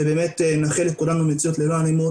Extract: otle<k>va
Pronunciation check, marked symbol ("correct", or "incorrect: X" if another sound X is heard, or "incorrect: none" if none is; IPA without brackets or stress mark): incorrect: none